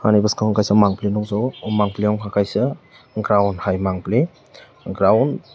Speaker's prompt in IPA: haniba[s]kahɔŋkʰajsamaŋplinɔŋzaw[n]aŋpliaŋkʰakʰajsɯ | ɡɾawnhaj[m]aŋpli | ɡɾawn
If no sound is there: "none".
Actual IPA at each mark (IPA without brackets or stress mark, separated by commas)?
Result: s, m, m